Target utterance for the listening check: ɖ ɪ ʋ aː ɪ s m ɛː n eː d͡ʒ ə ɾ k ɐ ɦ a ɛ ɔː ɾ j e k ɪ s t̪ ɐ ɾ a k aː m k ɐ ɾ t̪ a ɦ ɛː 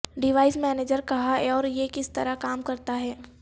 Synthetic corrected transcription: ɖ ɪ ʋ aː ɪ s m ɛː n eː d͡ʒ ə ɾ k ɐ ɦ a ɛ ɔː ɾ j e k ɪ s t̪ ɐ ɾ a k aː m k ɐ ɾ t̪ a ɦ ɛː